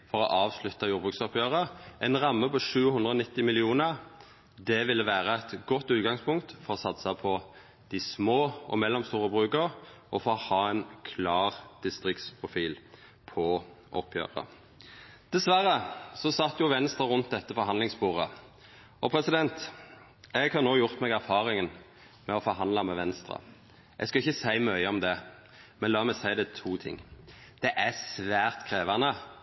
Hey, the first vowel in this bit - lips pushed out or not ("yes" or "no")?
yes